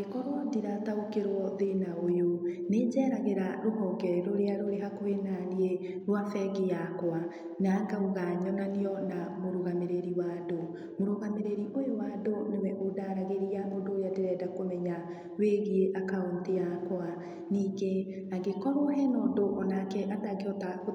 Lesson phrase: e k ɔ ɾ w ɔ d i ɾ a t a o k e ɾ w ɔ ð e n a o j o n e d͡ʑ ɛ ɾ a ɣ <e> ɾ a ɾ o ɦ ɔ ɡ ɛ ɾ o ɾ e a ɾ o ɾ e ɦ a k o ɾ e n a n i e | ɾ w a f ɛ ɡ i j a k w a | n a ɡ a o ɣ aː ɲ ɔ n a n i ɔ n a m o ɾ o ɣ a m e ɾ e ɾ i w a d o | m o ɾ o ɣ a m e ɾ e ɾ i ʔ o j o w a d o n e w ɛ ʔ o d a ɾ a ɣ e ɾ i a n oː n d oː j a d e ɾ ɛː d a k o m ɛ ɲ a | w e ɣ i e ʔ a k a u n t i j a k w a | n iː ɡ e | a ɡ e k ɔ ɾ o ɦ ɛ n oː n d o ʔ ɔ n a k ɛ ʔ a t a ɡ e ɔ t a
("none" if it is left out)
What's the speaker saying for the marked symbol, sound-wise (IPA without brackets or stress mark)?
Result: e